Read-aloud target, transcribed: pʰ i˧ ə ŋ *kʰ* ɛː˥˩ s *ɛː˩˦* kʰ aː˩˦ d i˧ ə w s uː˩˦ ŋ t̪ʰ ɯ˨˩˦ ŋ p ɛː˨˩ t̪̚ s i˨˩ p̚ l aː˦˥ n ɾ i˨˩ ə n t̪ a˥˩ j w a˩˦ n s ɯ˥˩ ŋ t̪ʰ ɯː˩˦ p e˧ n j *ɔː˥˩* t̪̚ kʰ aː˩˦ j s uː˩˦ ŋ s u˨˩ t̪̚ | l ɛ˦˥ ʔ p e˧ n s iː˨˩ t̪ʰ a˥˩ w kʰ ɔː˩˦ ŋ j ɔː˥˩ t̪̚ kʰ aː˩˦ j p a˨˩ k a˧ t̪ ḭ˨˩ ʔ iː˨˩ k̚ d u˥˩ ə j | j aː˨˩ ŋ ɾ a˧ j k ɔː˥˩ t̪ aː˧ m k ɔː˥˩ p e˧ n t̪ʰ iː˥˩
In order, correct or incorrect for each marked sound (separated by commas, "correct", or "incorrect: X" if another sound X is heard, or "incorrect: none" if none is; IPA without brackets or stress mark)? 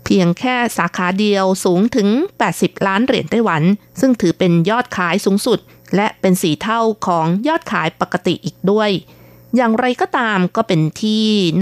correct, incorrect: aː˩˦, correct